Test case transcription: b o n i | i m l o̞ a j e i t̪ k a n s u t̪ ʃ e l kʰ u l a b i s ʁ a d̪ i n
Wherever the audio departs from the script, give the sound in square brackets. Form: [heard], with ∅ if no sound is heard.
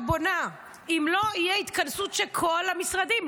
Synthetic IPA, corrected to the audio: b o n [a] | i m l o̞ [i] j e i t̪ k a n s u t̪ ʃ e l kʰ [o] l a [m] i s ʁ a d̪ i [m]

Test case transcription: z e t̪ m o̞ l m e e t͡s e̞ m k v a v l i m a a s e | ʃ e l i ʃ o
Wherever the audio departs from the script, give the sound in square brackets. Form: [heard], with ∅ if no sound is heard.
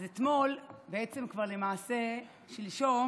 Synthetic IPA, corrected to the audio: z e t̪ m o̞ l [b] e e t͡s e̞ m k v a [ʁ] l [e] m a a s e | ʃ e l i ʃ o

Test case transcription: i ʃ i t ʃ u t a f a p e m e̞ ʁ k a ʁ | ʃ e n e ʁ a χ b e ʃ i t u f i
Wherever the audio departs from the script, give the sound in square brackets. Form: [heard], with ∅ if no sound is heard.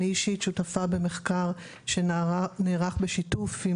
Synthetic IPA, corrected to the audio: i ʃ i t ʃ u t a f a [b] e m e̞ [χ] k a ʁ | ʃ e n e ʁ a χ b e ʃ i t u f i

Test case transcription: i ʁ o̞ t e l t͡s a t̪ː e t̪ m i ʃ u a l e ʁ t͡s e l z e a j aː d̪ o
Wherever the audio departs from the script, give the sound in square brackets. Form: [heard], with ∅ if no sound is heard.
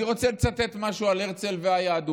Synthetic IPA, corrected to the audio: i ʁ o̞ [t͡s] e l t͡s a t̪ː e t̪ m [a] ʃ u a l e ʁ t͡s e l [v] e a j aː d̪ [u]

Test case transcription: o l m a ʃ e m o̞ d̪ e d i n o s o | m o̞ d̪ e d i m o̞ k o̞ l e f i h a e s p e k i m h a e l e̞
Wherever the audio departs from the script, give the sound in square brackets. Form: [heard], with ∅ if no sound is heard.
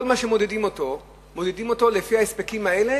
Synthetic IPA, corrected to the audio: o l m a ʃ e m o̞ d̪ e d i [m] o [t] o | m o̞ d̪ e d i m o̞ [t] o̞ l e f i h a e s p e k i m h a e l e̞

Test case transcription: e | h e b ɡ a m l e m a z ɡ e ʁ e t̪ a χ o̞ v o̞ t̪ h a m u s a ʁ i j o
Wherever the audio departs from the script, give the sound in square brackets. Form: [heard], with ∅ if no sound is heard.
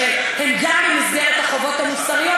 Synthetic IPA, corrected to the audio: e | h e [m] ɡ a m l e m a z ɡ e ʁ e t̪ a χ o̞ v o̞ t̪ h a m u s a ʁ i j o

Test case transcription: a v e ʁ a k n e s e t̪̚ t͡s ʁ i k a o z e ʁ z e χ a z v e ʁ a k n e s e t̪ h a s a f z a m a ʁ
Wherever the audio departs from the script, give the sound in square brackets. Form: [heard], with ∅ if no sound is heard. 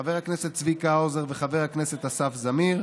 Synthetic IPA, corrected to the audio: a v e ʁ a k n e s e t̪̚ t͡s [v] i k a o z e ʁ [v] e χ a [∅] v e ʁ a k n e s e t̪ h a s a f z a m [i] ʁ

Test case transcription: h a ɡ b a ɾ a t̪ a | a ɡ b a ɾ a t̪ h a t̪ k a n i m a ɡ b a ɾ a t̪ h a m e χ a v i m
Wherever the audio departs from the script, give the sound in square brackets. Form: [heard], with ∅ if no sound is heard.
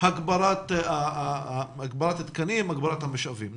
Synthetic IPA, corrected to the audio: h a ɡ b a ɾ a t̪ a | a ɡ b a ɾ a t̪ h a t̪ k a n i m a ɡ b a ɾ a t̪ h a m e [ʃ] a v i m

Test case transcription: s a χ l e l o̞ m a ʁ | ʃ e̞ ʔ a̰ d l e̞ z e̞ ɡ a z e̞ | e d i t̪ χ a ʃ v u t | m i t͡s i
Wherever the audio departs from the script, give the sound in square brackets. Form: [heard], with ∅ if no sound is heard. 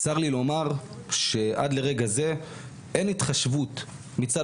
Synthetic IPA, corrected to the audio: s a [ʁ] l [i] l o̞ m a ʁ | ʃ e̞ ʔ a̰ d l e̞ [ʁ] e̞ ɡ a z e̞ | e [n] i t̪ χ a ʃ v u t | m i t͡s [a]

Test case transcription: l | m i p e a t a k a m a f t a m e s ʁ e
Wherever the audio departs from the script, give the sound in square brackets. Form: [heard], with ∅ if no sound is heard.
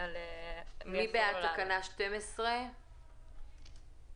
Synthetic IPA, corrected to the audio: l | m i [b] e a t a k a [n] a [ʃ] t [e] m e s ʁ e

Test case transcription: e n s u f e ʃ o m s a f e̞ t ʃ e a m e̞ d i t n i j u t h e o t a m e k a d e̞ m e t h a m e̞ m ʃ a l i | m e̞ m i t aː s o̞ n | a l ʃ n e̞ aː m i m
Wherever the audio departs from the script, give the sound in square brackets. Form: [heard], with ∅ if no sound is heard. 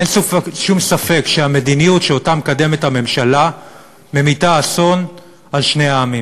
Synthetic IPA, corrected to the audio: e n s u f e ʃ [u] m s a f e̞ [k] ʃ e a m e̞ d i [∅] n i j u t [ʃ] e o t a m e k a d e̞ m e t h a m e̞ m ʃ a l [a] | m e̞ m i t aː s o̞ n | a l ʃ n e̞ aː m i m

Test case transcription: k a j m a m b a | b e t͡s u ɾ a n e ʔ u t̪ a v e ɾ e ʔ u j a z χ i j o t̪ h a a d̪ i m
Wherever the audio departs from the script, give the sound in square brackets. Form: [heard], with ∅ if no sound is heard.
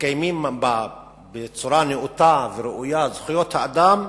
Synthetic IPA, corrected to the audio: k a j m [i] m b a | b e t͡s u ɾ a n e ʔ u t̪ a v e ɾ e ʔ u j a z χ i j o t̪ h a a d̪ [a] m

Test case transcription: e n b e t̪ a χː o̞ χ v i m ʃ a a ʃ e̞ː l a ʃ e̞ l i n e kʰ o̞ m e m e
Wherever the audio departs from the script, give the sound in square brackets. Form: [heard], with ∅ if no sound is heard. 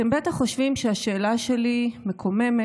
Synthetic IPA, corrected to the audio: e [m] b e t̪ a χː o̞ [ʃ] v i m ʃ [e] a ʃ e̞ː l a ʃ e̞ l i [m] e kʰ o̞ m e m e

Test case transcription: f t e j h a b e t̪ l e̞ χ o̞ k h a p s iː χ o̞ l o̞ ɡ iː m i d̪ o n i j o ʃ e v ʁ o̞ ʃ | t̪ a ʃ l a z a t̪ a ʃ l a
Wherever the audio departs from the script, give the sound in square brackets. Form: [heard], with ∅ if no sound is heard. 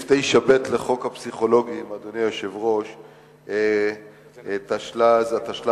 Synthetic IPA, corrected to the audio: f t e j [ʃ] a b e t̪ l e̞ χ o̞ k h a p s [i] χ o̞ l o̞ ɡ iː m [a] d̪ o n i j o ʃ e v ʁ o̞ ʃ | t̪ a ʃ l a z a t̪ a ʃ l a

